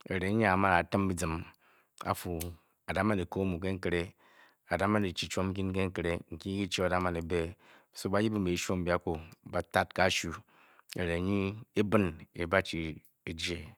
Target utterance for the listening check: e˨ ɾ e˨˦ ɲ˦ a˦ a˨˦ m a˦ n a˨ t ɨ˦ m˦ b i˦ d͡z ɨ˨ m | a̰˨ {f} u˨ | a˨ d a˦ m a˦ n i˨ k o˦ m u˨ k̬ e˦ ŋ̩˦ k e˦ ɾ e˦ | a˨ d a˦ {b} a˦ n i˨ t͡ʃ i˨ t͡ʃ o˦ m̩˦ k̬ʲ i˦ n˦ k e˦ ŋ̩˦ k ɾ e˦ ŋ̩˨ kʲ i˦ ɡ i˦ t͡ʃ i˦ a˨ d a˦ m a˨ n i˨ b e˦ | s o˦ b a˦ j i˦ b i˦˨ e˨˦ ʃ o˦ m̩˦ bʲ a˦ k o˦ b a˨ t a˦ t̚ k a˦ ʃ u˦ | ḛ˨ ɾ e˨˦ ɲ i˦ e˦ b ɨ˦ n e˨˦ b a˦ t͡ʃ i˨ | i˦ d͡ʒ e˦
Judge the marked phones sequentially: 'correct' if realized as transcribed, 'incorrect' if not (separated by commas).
correct, incorrect